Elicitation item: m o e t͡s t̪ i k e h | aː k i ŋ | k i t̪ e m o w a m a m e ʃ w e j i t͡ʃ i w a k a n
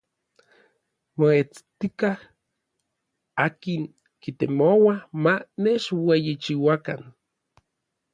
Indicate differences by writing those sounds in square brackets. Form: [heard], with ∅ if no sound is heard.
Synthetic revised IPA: m o e t͡s t̪ i k [a] h | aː k i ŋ | k i t̪ e m o w a m a [n] e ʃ w e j i t͡ʃ i w a k a n

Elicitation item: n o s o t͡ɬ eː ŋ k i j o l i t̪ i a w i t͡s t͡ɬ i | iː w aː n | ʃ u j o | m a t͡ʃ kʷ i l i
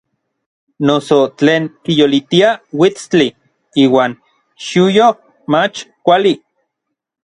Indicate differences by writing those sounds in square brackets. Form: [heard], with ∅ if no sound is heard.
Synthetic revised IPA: n o s o t͡ɬ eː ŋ k i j o l i t̪ i a w i t͡s t͡ɬ i | iː w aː n | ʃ u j o | m a t͡ʃ kʷ [a] l i

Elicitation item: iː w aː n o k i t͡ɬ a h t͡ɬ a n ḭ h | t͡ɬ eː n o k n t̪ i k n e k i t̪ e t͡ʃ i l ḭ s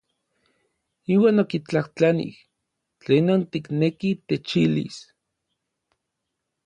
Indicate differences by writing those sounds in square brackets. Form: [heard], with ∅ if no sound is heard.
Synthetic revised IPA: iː w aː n o k i t͡ɬ a h t͡ɬ a n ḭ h | t͡ɬ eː n o [∅] n t̪ i k n e k i t̪ e t͡ʃ i l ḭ s

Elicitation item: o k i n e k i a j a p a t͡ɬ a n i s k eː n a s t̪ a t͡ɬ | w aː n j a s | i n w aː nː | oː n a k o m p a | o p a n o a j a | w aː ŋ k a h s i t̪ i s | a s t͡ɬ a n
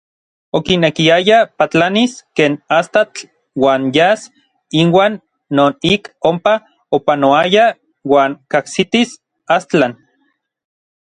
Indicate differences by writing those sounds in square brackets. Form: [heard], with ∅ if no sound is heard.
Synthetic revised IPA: o k i n e k i a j a p a t͡ɬ a n i s k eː n a s t̪ a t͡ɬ | w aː n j a s | i n w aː nː | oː n [i] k o m p a | o p a n o a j a | w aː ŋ k a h s i t̪ i s | a s t͡ɬ a n

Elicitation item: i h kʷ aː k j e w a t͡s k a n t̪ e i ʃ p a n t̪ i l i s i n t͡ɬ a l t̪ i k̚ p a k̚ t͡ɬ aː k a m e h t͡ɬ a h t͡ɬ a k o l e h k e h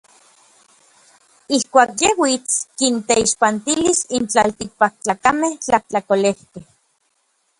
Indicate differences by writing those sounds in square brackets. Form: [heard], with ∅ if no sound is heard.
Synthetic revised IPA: i h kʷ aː k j e w [i] t͡s k [i] n t̪ e i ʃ p a n t̪ i l i s i n t͡ɬ a l t̪ i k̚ p a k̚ t͡ɬ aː k a m e h t͡ɬ a h t͡ɬ a k o l e h k e h

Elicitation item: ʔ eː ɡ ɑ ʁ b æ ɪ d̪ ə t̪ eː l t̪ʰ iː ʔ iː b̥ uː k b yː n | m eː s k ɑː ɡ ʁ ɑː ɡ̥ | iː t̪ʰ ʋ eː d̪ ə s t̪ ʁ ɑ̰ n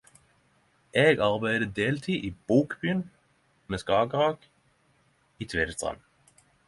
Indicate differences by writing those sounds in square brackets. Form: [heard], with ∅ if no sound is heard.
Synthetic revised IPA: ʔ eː ɡ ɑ ʁ b æ ɪ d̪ ə [d̪] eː l t̪ʰ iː ʔ iː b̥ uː k b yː n | m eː s k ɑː ɡ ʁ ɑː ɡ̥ | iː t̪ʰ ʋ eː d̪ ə s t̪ ʁ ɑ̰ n

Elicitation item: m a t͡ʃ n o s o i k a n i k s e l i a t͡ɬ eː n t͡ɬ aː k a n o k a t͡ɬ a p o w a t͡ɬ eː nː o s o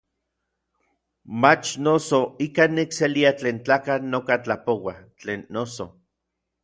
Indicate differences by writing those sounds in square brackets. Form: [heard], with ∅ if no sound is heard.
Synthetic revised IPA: m a t͡ʃ n o s o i k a n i k s e l i a t͡ɬ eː n t͡ɬ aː k a n o k a t͡ɬ a p o w a t͡ɬ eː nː o s o

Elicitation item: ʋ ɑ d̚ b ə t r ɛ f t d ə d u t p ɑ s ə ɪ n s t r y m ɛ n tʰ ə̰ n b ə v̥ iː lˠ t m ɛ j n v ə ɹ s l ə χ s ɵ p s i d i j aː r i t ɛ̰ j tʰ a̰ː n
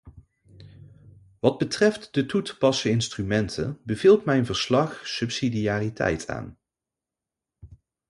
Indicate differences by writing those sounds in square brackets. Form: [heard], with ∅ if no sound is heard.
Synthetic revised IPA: ʋ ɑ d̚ b ə t r ɛ f t d ə [t] u t p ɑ s ə ɪ n s t r y m ɛ n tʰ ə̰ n b ə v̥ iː lˠ t m ɛ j n v ə ɹ s l [ɑ] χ s ɵ p s i d i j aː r i t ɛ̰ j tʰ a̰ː n

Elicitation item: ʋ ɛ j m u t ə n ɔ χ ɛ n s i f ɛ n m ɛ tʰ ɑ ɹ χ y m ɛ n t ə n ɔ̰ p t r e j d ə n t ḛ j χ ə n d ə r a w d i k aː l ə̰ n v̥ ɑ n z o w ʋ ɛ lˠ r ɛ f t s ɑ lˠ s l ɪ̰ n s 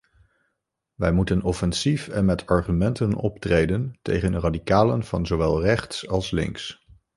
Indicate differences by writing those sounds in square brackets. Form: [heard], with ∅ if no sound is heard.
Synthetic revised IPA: ʋ ɛ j m u t ə n ɔ [f] ɛ n s i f ɛ n m ɛ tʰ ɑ ɹ χ y m ɛ n t ə n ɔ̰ p t r e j d ə n t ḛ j χ ə n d ə r a [∅] d i k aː l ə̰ n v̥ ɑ n z o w ʋ ɛ lˠ r ɛ [χ] t s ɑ lˠ s l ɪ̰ [ŋ] s

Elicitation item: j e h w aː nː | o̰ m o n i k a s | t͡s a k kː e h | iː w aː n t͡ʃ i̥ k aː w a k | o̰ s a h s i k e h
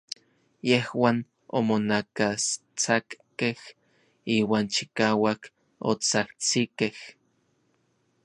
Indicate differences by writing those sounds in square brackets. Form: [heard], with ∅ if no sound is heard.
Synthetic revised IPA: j e h w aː [n] | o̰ m o n [a] k a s | t͡s a k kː e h | iː w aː n t͡ʃ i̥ k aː w a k | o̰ [t͡s] a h [t͡s] i k e h

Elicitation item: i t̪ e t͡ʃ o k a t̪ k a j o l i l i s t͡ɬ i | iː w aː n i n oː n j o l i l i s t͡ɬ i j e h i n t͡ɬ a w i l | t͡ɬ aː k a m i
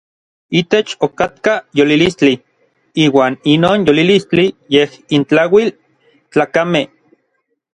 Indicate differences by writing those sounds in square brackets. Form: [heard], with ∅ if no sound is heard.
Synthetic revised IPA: i t̪ e t͡ʃ o k a t̪ k a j o l i l i s t͡ɬ i | iː w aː n i n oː n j o l i l i s t͡ɬ i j e h i n t͡ɬ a w i l | t͡ɬ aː k a m [e]

